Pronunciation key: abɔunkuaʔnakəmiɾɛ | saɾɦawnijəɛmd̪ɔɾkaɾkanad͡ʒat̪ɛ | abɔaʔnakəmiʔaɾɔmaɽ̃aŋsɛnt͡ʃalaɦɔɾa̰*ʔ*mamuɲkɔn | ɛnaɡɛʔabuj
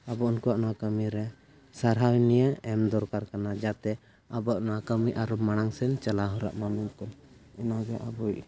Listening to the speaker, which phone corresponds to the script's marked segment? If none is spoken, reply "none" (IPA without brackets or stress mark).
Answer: ʔ